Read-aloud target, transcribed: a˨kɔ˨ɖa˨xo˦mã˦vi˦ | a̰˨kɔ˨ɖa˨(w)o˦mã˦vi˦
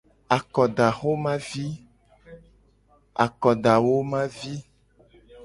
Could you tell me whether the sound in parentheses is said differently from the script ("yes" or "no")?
no